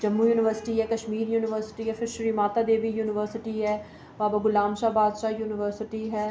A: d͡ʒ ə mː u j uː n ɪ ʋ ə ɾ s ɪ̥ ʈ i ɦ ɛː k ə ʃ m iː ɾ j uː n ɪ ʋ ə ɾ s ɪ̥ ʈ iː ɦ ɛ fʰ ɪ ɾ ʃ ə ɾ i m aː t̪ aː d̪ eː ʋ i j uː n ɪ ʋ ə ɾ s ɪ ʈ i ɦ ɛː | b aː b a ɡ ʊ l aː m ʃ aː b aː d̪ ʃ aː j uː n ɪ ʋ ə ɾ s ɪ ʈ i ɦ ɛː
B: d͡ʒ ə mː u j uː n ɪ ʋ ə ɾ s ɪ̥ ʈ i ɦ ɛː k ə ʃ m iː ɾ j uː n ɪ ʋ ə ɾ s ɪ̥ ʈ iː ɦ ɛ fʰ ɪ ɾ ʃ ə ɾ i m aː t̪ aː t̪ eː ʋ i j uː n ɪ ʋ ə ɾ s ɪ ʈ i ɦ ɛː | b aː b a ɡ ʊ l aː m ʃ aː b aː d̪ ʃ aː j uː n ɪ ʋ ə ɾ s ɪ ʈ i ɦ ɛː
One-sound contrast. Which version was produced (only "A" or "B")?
A